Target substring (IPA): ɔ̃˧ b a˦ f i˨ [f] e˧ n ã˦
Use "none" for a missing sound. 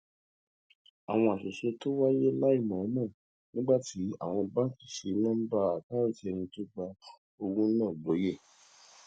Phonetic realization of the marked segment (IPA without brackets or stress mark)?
ʃ